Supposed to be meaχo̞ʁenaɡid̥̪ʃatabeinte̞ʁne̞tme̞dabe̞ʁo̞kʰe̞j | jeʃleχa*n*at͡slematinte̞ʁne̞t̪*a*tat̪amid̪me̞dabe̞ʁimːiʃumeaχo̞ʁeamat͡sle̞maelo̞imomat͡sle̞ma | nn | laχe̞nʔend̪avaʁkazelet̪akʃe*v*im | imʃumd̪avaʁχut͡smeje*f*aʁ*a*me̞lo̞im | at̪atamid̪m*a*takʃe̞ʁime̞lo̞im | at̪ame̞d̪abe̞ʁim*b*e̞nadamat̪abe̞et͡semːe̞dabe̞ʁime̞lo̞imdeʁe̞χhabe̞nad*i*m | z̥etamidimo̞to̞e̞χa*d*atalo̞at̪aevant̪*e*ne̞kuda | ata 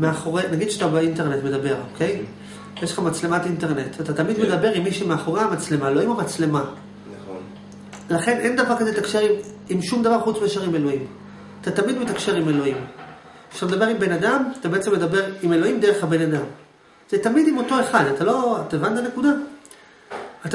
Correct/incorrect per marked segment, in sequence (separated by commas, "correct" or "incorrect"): incorrect, correct, incorrect, incorrect, incorrect, incorrect, correct, incorrect, correct, incorrect